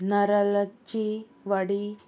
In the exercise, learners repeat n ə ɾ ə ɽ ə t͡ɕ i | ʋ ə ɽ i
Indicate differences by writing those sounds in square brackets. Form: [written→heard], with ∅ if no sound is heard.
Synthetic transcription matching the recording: n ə ɾ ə [ɽ→l] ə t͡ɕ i | ʋ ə ɽ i